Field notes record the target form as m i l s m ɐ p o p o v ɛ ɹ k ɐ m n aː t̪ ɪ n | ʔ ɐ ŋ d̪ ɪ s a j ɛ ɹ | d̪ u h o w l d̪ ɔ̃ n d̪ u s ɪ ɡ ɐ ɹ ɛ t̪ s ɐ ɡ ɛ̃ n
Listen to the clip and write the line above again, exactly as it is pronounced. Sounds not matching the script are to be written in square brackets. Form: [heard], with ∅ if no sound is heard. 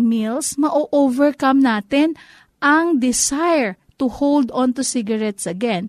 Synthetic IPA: m i l s m ɐ [ʔ] o [ʔ] o v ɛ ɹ k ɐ m n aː t̪ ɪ n | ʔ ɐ ŋ d̪ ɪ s a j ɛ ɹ | [t̪] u h o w l d̪ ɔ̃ n [t̪] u s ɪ ɡ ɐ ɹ ɛ t̪ s ɐ ɡ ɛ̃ n